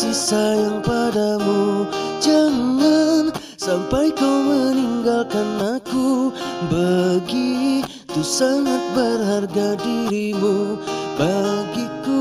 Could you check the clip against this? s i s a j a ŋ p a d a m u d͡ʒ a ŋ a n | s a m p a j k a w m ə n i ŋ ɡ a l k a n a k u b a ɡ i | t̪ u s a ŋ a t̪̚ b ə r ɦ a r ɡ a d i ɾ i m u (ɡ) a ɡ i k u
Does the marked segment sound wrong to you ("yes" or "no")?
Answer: yes